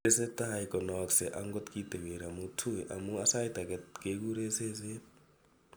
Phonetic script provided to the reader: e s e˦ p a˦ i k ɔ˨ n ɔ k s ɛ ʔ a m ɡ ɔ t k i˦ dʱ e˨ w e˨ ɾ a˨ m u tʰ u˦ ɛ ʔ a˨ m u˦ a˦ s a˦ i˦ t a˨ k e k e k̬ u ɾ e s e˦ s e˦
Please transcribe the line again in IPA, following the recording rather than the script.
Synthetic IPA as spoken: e s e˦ t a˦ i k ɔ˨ n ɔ k s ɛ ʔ a ŋ ɡ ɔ t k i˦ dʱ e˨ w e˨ ɾ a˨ m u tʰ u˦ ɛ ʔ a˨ m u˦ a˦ s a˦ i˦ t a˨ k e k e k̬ u ɾ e s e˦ s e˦